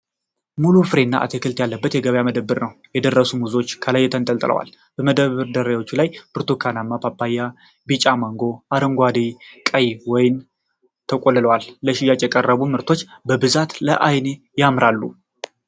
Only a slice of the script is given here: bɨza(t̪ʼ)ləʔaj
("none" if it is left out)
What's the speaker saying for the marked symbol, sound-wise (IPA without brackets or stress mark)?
t̪